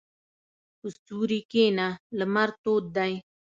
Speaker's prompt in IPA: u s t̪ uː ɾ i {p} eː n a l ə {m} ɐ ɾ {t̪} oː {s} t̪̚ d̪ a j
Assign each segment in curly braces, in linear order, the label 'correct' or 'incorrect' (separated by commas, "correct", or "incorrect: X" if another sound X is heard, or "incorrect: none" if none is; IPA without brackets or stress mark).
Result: incorrect: k, correct, correct, incorrect: none